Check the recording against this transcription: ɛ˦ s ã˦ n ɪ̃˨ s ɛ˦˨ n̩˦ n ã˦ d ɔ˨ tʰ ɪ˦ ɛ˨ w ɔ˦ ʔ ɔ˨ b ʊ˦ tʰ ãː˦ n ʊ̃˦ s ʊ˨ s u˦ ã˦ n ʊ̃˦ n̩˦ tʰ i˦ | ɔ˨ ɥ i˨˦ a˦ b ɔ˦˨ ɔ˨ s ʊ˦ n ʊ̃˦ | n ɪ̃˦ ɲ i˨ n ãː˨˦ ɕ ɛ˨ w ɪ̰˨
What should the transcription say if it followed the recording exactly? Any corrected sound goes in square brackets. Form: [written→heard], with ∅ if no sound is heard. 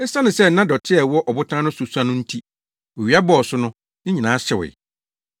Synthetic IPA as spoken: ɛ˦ s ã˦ n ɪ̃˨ s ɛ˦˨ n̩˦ n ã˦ d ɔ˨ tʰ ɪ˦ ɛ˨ w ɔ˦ ʔ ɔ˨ b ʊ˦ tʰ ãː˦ n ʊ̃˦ s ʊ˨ s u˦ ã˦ n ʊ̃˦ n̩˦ tʰ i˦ | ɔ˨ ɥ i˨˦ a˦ b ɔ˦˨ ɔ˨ s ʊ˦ n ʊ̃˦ | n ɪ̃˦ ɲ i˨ n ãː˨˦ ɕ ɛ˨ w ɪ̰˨